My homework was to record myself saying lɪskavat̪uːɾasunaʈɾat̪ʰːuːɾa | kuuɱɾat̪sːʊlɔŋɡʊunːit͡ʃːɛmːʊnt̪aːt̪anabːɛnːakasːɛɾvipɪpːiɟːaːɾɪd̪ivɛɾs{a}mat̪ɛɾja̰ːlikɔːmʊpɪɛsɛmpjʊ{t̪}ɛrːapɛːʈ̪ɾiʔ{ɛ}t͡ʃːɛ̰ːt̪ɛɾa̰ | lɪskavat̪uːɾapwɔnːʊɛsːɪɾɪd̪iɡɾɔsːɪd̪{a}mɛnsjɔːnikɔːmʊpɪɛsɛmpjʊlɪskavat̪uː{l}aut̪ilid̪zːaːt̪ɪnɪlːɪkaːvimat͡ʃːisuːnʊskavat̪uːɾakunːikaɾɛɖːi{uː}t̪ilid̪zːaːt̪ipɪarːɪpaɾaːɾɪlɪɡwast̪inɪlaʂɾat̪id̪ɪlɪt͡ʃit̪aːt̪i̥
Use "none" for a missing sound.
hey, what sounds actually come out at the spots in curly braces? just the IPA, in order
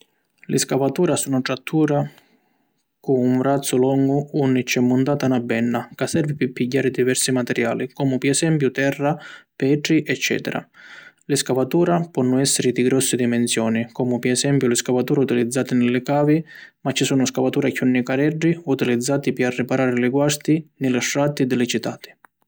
i, t̪, ɛ, i, ɾ, u

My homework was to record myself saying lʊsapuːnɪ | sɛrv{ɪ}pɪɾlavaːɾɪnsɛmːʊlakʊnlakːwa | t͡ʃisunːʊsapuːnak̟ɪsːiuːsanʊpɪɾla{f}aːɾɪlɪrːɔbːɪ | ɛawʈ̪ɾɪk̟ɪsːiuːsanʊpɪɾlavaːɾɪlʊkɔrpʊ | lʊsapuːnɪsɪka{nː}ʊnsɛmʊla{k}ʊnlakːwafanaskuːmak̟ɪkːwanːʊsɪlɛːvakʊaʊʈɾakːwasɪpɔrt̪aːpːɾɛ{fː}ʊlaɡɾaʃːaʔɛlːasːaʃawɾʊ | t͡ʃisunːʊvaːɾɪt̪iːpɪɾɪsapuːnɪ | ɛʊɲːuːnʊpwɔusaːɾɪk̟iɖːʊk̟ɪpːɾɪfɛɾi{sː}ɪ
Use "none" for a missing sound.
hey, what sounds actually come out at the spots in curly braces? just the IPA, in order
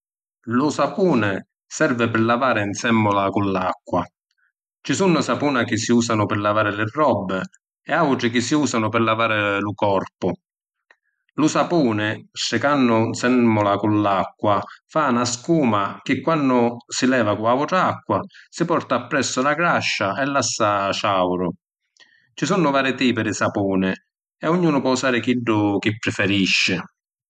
ɪ, v, nː, k, sː, ʃː

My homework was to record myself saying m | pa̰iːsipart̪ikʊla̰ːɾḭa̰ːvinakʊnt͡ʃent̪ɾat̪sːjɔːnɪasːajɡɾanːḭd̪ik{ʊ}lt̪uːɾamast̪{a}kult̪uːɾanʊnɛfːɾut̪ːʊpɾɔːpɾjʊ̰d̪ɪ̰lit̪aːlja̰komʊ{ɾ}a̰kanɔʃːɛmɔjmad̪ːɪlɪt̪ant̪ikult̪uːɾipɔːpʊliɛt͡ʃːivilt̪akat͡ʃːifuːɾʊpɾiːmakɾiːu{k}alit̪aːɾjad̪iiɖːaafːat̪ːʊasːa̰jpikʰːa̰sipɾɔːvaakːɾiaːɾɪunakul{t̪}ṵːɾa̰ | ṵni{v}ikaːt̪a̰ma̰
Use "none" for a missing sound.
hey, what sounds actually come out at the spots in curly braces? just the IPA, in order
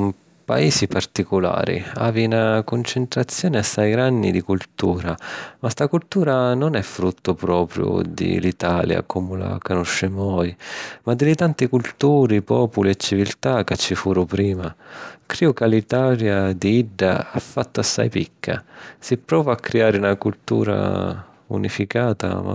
u, a, l, k, t̪, f

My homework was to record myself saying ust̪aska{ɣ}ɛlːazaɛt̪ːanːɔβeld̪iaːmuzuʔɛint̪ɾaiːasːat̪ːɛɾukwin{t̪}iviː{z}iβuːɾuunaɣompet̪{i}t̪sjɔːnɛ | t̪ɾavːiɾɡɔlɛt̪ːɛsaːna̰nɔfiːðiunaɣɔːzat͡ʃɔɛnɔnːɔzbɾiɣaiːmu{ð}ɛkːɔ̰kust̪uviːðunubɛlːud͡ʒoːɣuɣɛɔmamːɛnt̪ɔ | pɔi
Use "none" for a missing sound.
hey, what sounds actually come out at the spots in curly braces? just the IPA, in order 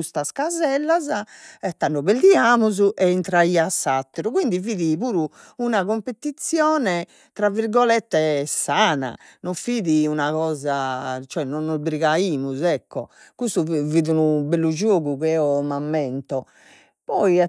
z, d̪, ð, i, z

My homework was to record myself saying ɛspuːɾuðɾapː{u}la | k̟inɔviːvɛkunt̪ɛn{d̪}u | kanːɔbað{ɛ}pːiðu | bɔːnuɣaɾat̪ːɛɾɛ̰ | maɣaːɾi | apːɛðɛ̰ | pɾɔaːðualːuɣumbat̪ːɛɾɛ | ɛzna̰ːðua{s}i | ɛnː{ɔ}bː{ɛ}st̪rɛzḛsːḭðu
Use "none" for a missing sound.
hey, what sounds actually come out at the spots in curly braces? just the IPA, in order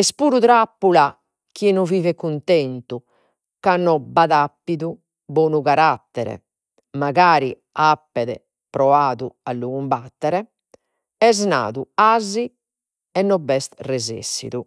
u, t̪, a, z, ɔ, ɛ

